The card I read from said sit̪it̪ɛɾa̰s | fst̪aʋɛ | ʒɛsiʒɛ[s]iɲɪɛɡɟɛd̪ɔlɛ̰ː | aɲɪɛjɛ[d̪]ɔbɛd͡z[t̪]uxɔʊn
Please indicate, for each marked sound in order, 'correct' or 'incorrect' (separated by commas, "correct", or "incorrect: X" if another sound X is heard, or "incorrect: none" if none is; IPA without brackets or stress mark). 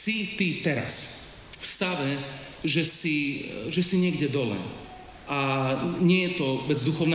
correct, incorrect: t̪, incorrect: d̪